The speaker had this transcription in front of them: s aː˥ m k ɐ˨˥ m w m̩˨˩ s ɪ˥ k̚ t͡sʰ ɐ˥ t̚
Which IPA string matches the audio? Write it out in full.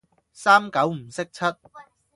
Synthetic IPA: s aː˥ m k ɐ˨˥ w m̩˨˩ s ɪ˥ k̚ t͡sʰ ɐ˥ t̚